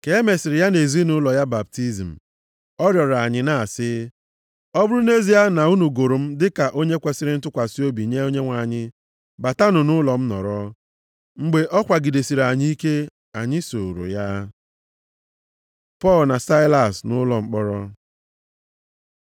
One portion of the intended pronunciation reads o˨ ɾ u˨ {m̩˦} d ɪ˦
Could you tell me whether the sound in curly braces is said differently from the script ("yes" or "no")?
no